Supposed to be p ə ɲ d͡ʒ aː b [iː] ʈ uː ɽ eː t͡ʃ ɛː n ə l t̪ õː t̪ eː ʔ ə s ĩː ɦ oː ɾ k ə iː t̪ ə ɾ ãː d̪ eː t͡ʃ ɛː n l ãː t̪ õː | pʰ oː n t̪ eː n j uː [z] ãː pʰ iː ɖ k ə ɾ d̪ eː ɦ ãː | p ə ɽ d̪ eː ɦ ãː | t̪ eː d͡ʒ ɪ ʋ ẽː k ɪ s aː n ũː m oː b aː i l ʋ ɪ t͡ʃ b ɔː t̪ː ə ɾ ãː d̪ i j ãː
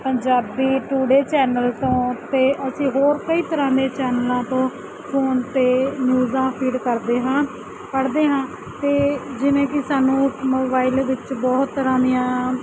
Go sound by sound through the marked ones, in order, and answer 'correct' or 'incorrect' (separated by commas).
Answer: correct, correct